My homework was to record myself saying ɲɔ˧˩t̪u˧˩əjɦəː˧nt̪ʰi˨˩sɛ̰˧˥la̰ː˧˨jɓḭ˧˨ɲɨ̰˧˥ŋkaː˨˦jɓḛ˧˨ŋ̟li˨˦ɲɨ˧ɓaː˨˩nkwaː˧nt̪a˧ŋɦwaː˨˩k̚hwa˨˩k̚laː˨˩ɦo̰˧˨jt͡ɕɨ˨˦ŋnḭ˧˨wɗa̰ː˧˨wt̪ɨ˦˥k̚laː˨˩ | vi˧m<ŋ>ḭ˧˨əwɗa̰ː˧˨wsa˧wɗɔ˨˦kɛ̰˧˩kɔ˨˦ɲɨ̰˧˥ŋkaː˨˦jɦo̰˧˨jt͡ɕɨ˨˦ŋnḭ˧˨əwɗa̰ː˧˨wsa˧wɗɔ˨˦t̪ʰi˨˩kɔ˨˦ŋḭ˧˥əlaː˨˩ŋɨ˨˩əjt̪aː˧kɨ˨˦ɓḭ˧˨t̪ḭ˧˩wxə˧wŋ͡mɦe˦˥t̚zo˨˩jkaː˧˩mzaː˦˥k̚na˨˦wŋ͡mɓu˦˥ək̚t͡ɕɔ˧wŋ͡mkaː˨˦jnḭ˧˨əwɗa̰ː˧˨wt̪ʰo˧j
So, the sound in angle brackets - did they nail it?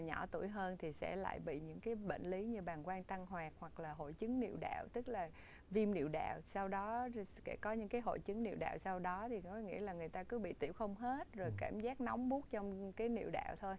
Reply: no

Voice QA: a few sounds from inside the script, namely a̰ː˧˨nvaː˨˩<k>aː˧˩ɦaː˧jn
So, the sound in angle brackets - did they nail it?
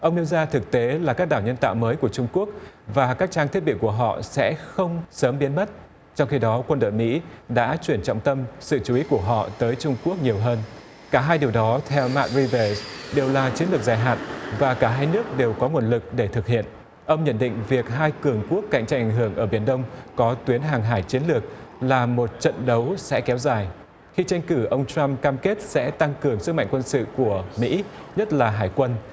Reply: yes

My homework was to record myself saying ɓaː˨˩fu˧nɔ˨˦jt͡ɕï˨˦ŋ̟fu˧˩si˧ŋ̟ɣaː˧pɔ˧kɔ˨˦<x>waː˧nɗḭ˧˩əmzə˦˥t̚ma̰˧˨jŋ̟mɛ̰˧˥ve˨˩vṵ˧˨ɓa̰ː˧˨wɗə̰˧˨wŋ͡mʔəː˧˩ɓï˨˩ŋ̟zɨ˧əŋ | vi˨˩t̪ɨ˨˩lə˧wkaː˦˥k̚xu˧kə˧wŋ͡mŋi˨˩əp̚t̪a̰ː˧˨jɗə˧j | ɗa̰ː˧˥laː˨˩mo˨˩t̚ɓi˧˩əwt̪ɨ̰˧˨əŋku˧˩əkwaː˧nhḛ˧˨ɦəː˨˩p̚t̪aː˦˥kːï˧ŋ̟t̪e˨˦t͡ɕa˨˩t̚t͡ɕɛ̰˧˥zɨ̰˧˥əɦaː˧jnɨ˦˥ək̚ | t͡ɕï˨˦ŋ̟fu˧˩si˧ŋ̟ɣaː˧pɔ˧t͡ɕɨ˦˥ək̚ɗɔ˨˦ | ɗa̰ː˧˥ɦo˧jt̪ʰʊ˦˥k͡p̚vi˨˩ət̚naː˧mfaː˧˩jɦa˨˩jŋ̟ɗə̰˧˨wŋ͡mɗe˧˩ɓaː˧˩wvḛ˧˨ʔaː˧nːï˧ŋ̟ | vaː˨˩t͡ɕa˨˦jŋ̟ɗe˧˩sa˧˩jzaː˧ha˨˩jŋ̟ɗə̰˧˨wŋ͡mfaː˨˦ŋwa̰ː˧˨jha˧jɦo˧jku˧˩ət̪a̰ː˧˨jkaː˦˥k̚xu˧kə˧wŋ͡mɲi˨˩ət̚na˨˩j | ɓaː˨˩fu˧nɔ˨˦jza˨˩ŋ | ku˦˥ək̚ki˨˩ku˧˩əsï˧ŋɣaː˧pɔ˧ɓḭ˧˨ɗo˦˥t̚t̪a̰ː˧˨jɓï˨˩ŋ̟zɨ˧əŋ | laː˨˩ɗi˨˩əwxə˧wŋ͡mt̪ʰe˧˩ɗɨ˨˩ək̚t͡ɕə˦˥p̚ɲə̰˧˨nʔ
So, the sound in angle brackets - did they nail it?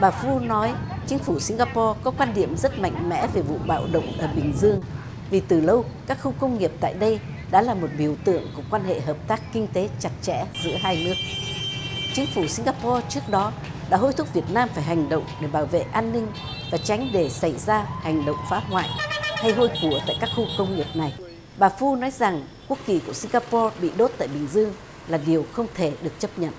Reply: no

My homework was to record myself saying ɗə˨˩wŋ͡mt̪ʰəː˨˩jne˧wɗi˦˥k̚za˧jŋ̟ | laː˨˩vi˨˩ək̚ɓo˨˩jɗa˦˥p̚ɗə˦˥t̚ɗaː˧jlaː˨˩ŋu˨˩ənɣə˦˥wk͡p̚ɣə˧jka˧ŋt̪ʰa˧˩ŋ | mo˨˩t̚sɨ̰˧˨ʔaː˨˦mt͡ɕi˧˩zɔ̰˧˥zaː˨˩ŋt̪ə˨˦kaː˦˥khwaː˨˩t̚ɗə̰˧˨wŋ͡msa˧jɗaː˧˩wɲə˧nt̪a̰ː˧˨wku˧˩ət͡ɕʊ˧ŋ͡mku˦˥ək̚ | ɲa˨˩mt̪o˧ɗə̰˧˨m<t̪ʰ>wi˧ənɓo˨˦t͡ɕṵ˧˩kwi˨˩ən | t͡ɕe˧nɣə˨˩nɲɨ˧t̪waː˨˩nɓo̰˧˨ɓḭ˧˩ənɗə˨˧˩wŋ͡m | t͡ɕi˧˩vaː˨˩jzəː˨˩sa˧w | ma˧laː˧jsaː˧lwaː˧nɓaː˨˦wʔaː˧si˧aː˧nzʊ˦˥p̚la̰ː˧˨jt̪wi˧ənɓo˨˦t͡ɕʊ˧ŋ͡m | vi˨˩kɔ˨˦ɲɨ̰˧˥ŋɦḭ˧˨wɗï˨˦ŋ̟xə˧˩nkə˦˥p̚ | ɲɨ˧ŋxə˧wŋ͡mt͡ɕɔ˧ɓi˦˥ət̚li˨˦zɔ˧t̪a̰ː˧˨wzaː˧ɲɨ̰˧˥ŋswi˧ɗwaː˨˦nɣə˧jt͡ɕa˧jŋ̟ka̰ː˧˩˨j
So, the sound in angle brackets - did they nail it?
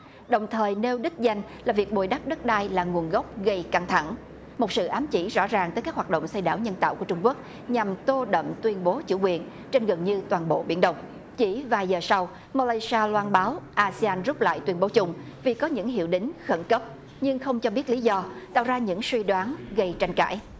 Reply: no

